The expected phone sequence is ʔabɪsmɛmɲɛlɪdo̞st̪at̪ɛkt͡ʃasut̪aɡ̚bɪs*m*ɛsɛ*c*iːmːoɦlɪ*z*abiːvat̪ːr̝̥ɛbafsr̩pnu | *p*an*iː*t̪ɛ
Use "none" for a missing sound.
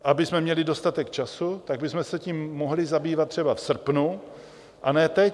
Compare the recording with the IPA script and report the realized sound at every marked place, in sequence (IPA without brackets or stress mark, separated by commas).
m, c, z, ʔ, ɛː